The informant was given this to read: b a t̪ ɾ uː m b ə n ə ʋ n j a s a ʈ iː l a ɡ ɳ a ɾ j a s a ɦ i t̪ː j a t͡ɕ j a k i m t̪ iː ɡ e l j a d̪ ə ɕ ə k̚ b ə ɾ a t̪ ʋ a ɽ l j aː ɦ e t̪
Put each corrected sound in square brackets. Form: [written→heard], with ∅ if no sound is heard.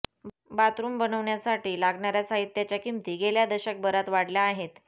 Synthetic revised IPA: b a t̪ ɾ uː m b ə n ə ʋ [n→ɳ] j a s a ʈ iː l a ɡ ɳ a ɾ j a s a ɦ i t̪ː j a t͡ɕ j a k i m t̪ iː ɡ e l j a d̪ ə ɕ ə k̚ b ə ɾ a t̪ ʋ a ɽ l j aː ɦ e t̪